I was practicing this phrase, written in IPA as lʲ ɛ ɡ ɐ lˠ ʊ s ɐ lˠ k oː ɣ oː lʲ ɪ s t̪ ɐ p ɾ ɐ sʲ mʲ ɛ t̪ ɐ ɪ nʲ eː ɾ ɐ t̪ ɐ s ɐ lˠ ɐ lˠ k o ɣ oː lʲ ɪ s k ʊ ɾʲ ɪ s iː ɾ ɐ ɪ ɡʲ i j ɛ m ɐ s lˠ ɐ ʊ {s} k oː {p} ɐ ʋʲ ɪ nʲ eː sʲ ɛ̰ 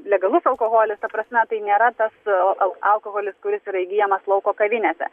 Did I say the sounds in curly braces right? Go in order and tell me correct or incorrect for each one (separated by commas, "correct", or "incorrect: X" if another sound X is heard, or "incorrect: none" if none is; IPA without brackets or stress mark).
incorrect: none, incorrect: k